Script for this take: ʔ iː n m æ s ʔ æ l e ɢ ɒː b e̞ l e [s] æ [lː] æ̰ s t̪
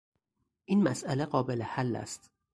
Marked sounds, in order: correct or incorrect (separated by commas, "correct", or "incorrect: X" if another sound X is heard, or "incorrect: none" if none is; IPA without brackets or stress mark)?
incorrect: h, correct